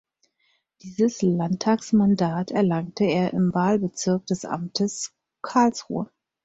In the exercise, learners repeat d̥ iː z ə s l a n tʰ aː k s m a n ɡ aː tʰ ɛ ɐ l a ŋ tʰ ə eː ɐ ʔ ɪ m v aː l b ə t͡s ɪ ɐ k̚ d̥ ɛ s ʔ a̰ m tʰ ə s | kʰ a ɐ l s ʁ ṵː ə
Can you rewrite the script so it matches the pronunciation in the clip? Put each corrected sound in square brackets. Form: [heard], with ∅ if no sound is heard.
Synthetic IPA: d̥ iː z ə s l a n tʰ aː k s m a n [d] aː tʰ ɛ ɐ l a ŋ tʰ ə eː ɐ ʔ ɪ m v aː l b ə t͡s ɪ ɐ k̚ d̥ ɛ s ʔ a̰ m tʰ ə s | kʰ a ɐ l s ʁ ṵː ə